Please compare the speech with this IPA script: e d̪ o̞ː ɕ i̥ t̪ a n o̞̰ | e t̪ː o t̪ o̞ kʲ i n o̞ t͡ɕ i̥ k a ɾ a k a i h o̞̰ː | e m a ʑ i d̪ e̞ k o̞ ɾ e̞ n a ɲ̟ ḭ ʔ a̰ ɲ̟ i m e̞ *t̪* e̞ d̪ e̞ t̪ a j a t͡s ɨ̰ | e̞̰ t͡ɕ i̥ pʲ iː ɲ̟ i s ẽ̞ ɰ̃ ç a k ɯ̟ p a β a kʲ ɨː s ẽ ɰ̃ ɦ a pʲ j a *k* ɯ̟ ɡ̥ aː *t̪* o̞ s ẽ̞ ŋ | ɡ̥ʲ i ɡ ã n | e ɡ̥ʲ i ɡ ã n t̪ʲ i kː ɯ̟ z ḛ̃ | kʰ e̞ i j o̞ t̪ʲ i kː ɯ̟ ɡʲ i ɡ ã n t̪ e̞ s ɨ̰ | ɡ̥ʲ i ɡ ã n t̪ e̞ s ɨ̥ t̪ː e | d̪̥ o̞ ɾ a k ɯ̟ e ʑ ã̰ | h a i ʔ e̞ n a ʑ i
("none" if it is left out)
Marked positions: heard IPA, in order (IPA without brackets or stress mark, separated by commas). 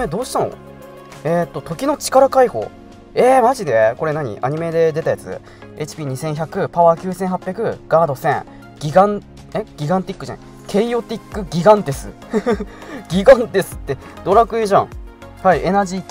d̪, k, d̪